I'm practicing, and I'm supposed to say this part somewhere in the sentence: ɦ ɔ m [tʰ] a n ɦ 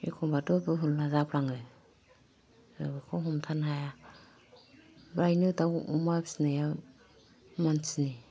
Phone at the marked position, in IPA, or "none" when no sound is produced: tʰ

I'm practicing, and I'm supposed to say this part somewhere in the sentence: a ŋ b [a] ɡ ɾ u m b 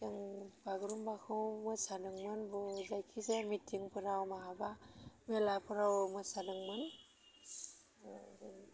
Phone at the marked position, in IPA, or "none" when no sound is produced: a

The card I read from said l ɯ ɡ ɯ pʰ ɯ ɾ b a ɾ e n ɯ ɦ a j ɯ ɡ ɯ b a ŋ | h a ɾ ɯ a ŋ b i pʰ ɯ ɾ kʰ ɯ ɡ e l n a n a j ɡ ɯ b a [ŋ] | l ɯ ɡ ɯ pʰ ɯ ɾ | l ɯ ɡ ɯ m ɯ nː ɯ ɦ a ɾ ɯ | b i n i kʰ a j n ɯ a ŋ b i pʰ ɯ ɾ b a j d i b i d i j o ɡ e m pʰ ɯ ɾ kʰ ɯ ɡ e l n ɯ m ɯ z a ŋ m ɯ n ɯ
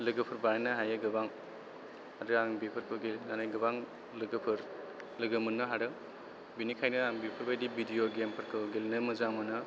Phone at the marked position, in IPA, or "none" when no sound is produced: ŋ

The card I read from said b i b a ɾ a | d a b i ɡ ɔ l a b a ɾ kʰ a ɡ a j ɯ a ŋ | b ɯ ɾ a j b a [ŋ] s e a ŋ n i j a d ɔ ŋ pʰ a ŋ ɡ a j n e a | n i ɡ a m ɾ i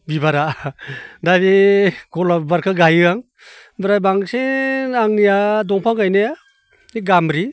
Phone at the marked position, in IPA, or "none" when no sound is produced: ŋ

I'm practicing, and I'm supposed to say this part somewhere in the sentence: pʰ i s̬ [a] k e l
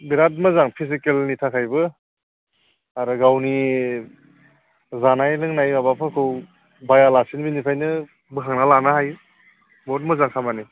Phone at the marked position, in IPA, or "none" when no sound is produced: i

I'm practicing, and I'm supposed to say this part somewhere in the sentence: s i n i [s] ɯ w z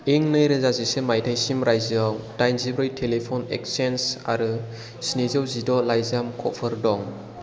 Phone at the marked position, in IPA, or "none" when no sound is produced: z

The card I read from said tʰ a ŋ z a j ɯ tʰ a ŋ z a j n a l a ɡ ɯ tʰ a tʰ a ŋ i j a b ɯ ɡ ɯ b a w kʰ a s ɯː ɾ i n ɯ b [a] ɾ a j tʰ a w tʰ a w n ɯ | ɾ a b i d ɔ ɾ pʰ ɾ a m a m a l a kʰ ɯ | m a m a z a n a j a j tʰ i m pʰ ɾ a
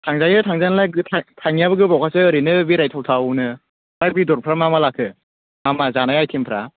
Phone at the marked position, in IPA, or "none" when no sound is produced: i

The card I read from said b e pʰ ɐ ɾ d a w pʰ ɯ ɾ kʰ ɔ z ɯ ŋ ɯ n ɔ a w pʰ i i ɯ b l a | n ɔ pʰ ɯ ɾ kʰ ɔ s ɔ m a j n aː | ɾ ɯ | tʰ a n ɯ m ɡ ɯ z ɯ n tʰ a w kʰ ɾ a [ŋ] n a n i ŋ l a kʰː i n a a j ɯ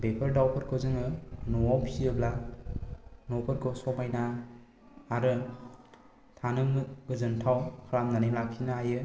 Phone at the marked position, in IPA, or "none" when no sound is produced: m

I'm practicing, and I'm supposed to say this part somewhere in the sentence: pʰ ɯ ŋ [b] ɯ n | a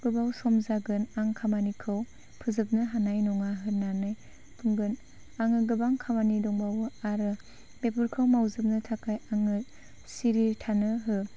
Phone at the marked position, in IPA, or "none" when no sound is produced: ɡ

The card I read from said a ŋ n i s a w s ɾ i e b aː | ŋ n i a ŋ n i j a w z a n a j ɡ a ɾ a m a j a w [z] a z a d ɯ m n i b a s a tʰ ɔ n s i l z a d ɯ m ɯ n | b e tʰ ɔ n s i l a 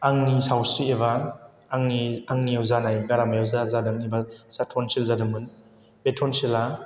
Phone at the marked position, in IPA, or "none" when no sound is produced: z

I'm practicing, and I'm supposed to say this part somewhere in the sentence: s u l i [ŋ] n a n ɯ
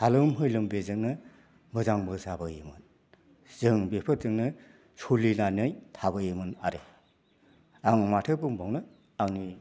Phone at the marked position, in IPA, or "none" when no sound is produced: none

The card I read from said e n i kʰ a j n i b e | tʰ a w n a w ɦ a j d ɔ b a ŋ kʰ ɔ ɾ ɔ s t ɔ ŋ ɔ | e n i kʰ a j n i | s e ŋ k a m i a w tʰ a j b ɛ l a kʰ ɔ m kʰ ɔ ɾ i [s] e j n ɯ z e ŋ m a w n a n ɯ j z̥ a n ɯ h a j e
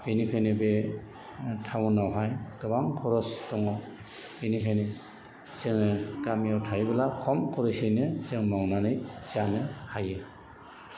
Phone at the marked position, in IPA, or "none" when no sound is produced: s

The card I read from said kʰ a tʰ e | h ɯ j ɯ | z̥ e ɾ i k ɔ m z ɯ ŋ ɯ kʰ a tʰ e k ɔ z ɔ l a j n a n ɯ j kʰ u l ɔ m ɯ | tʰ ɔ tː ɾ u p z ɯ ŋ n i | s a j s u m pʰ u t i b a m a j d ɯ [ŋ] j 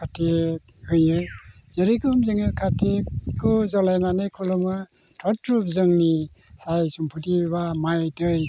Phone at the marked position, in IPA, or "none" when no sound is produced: none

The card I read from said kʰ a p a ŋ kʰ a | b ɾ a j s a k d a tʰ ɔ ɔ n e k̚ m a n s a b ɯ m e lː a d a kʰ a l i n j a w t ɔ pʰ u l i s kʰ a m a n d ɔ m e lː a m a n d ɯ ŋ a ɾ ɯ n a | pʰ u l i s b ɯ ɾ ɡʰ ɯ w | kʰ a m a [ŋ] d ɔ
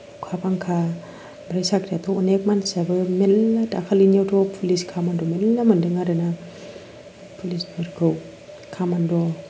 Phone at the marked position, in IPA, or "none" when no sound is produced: n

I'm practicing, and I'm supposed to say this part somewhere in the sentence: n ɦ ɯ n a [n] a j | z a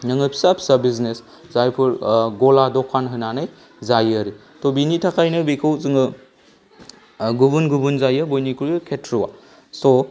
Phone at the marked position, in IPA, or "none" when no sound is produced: n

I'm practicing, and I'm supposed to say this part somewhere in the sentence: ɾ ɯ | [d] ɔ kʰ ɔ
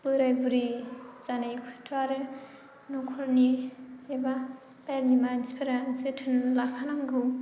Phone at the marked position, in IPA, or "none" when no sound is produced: n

